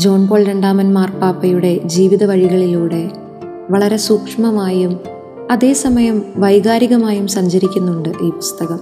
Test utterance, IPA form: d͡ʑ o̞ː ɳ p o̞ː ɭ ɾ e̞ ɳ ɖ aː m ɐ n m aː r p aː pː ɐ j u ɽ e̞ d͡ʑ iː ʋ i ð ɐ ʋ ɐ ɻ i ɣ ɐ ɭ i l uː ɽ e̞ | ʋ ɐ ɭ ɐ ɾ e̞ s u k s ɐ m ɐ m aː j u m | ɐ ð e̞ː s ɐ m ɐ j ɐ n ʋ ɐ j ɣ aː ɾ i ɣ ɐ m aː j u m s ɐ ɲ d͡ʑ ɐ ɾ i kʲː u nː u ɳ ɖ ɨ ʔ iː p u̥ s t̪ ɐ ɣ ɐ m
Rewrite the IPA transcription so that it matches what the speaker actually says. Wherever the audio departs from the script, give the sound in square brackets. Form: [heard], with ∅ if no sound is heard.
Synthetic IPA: d͡ʑ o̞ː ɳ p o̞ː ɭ ɾ e̞ ɳ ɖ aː m ɐ n m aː r p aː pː ɐ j u ɽ e̞ d͡ʑ iː ʋ i ð ɐ ʋ ɐ ɻ i ɣ ɐ ɭ i l uː ɽ e̞ | ʋ ɐ ɭ ɐ ɾ e̞ s [uː] k [ʂ] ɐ m ɐ m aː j u m | ɐ ð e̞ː s ɐ m ɐ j ɐ [m] ʋ ɐ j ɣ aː ɾ i ɣ ɐ m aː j u m s ɐ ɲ d͡ʑ ɐ ɾ i kʲː u nː u ɳ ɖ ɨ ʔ iː p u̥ s t̪ ɐ ɣ ɐ m